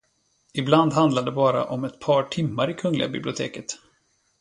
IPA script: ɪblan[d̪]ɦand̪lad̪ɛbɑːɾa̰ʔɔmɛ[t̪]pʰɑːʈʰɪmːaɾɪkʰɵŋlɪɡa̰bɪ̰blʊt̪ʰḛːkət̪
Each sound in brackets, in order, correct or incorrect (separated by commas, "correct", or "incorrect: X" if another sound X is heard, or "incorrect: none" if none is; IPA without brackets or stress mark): correct, correct